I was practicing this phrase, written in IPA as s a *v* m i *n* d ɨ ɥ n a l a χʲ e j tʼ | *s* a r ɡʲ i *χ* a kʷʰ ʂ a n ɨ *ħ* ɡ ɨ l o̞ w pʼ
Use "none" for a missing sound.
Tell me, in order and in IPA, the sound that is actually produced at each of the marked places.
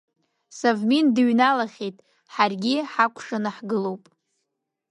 v, n, ħ, ħ, ħ

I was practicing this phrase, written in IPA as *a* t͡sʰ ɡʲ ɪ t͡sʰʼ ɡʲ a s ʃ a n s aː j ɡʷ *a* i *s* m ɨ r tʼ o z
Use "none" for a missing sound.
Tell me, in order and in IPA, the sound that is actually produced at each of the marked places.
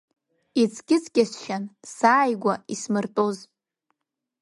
i, a, s

